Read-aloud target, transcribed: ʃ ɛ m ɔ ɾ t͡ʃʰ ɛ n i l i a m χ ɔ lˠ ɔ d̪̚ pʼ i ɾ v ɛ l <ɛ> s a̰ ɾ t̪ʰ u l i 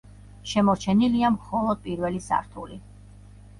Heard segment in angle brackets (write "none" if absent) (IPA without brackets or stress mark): i